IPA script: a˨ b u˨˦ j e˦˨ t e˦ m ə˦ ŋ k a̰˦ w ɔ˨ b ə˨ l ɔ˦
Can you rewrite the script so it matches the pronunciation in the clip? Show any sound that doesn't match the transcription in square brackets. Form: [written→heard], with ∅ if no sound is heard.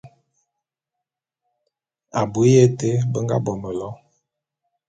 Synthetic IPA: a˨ b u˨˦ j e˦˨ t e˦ [m→b] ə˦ ŋ [k→ɡ] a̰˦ [w→b] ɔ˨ [b→m] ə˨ l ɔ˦